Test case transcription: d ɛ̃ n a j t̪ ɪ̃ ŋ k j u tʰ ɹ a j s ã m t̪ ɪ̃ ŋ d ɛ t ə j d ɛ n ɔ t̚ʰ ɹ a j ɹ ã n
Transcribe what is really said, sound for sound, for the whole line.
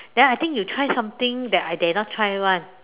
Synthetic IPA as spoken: d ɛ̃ n a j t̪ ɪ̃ ŋ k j u tʰ ɹ a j s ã m t̪ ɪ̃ ŋ d ɛ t a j d ɛ n ɔ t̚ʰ ɹ a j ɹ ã n